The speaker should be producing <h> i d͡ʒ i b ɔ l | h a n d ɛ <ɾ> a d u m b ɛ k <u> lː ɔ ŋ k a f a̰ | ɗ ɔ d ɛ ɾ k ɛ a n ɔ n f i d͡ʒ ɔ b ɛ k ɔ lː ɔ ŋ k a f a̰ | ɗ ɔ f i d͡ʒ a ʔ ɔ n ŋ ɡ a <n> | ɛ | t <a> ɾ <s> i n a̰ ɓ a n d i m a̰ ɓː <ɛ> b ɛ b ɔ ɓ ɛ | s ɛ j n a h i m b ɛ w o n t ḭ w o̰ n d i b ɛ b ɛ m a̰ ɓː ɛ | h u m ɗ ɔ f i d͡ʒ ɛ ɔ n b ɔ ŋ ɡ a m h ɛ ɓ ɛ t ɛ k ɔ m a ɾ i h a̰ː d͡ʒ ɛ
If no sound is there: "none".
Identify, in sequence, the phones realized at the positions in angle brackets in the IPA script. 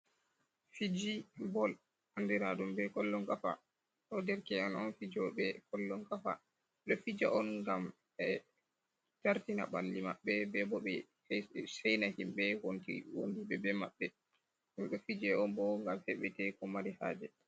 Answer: f, ɾ, ɔ, m, a, t, ɛ

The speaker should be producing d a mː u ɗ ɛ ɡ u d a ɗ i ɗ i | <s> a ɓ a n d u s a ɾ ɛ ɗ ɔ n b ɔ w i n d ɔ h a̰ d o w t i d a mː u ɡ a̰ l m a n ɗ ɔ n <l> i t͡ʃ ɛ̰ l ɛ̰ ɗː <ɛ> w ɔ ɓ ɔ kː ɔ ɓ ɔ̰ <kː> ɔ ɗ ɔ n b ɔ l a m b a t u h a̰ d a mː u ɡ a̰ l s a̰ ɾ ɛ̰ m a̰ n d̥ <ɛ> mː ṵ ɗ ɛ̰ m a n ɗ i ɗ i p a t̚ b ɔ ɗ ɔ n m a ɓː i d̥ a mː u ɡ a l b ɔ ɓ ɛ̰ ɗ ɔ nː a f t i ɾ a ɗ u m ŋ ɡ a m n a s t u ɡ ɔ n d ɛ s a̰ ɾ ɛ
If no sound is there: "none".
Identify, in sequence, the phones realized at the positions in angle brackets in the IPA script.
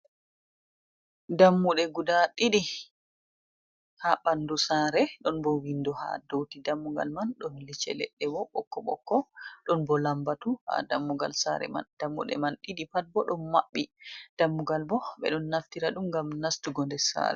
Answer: h, l, ɛ, kː, a

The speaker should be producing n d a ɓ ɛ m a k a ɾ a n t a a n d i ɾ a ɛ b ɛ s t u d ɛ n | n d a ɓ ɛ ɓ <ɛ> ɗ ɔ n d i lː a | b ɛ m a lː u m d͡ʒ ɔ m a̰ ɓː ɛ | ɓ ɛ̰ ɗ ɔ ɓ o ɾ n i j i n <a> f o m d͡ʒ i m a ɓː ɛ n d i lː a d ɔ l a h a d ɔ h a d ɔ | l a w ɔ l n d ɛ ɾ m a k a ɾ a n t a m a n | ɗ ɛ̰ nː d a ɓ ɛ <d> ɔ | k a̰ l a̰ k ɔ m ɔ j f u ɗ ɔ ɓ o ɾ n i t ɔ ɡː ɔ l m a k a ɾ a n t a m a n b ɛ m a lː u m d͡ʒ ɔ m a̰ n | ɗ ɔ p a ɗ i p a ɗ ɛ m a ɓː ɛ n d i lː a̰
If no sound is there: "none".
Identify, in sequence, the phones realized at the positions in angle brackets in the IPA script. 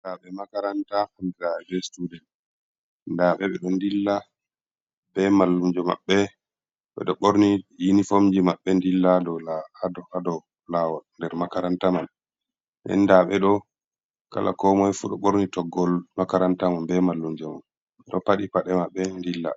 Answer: ɛ, i, ɗ

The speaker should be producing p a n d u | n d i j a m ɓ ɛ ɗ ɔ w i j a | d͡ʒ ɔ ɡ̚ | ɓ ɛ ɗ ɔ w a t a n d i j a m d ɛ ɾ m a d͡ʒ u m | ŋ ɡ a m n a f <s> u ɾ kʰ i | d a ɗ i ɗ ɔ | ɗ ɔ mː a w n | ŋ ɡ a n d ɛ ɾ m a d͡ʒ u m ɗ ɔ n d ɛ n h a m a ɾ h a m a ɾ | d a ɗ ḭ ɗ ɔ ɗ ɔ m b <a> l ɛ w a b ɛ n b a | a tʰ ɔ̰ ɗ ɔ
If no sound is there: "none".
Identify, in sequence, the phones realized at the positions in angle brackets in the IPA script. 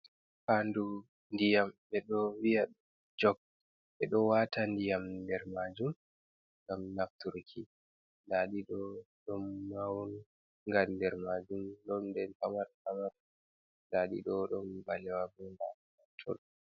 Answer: t, a

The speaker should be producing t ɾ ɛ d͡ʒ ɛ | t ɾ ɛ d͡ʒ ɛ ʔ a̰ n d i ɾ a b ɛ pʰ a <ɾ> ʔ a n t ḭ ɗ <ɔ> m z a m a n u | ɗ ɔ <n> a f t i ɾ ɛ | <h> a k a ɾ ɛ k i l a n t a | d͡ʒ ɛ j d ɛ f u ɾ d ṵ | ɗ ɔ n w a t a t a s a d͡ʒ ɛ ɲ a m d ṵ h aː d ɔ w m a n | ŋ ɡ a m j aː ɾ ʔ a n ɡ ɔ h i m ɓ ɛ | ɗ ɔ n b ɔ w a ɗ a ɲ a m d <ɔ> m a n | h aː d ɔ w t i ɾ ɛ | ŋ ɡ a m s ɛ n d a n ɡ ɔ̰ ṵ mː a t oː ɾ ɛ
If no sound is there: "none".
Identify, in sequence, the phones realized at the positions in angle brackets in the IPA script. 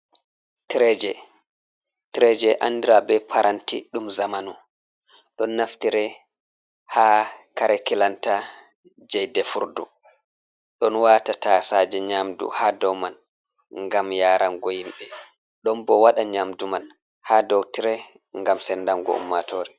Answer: ɾ, u, nː, h, u

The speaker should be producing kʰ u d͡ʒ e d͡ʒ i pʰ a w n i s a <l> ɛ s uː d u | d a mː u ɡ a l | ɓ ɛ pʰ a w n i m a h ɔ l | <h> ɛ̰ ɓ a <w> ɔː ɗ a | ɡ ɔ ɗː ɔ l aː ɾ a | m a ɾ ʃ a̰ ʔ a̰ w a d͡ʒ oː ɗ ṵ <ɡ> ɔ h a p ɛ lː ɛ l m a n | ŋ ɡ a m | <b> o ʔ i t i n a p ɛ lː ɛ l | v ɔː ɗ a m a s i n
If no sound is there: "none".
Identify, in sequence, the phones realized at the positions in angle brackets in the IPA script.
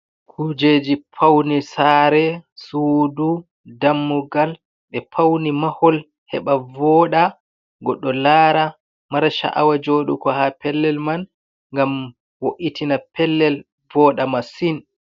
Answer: ɾ, h, v, k, w

